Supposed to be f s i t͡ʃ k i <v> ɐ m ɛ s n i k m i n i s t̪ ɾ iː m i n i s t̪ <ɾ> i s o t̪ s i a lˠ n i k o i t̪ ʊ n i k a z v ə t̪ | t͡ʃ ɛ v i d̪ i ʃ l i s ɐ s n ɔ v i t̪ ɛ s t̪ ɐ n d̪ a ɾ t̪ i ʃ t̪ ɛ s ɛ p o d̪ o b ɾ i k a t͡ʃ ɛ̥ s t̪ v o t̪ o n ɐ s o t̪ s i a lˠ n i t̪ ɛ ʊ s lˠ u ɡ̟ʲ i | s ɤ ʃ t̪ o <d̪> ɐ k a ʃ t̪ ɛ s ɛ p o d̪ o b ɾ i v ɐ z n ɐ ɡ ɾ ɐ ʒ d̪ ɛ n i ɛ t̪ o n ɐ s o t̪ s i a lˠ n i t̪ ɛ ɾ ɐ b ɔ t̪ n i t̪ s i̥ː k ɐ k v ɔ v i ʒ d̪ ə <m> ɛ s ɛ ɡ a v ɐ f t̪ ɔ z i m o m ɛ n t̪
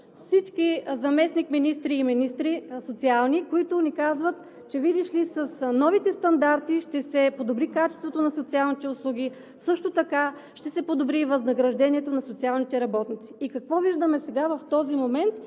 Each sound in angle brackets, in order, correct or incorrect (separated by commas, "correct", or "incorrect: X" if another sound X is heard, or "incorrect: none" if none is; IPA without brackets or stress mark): incorrect: z, correct, incorrect: t̪, correct